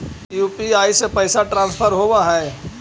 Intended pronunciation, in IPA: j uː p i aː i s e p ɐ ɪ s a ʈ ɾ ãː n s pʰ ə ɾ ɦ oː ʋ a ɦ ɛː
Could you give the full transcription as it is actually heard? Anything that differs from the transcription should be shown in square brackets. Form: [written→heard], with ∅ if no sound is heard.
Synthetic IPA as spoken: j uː p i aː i s e p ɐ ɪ s a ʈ ɾ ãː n s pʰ ə ɾ ɦ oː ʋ a ɦ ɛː